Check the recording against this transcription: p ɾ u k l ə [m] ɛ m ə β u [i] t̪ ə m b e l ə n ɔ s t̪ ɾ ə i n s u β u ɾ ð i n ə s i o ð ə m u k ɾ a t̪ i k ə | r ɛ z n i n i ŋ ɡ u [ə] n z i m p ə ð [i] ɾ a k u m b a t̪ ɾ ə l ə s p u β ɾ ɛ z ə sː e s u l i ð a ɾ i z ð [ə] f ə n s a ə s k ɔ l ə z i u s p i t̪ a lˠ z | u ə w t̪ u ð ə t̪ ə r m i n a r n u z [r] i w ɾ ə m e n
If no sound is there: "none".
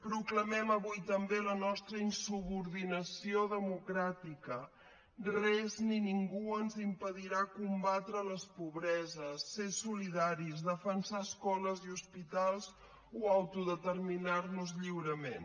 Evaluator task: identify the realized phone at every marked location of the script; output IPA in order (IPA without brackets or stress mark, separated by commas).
m, j, ə, i, ə, ʎ